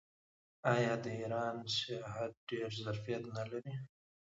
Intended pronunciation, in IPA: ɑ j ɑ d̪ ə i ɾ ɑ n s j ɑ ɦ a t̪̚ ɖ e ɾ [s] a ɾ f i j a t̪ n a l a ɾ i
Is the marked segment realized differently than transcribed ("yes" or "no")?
yes